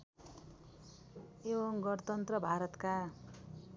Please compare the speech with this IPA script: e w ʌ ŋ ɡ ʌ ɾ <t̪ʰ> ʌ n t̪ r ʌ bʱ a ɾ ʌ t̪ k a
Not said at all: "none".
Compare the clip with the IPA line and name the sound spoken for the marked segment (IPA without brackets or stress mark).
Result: t̪